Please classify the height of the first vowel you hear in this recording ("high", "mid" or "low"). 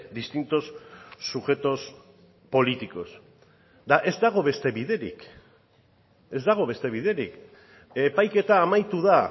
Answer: high